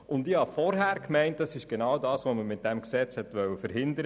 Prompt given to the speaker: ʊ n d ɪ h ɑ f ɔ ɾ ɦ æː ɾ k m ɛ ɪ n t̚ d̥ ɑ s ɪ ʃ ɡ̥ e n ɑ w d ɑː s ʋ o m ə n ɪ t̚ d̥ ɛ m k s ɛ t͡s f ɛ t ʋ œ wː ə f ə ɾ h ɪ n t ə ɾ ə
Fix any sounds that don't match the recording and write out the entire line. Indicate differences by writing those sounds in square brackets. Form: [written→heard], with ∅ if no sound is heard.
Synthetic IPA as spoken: ʊ n d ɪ h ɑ f ɔ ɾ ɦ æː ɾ k m ɛ ɪ n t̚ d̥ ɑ s ɪ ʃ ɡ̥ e n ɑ w d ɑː s ʋ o m ə [n→m] ɪ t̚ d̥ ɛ m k s ɛ t͡s [f→h] ɛ t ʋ œ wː ə f ə ɾ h ɪ n [t→d] ə ɾ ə